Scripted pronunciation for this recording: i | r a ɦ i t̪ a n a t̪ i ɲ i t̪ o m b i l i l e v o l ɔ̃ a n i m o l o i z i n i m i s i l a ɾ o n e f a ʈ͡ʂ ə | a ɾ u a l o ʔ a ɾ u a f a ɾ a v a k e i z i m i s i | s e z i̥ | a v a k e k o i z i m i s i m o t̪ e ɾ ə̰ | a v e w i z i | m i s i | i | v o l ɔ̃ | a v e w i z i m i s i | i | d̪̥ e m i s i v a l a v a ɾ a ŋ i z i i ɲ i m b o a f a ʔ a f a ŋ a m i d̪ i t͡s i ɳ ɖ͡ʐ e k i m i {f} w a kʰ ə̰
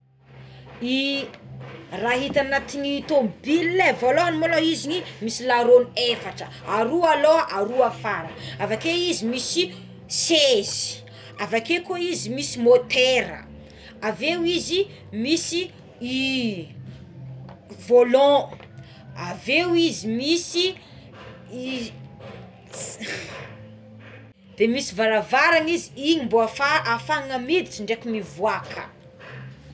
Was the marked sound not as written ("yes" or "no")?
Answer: yes